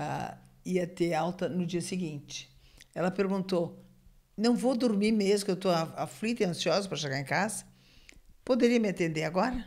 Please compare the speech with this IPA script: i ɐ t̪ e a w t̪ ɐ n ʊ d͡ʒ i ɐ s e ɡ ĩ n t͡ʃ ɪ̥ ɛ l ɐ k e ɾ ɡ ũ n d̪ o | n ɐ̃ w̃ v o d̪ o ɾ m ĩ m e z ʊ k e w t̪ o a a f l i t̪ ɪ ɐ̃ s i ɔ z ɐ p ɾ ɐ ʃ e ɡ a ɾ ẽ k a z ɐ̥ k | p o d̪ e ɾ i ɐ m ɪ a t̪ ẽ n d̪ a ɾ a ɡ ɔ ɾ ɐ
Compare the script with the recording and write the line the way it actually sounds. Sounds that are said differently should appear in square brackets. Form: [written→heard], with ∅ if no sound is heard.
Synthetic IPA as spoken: i ɐ t̪ e a w t̪ ɐ n ʊ d͡ʒ i ɐ s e ɡ ĩ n t͡ʃ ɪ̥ ɛ l ɐ [k→p] e ɾ ɡ ũ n [d̪→t̪] o | n ɐ̃ w̃ v o d̪ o ɾ m [ĩ→i] m e z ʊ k e w t̪ o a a f l i t̪ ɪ ɐ̃ s i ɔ z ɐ p ɾ ɐ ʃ e ɡ a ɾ ẽ k a z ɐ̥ [k→∅] | p o d̪ e ɾ i ɐ m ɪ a t̪ ẽ n d̪ [a→e] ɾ a ɡ ɔ ɾ ɐ